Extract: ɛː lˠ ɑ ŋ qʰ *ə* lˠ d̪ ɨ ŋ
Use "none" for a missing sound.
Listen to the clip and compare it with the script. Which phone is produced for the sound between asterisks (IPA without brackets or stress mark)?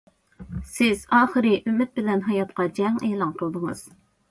ə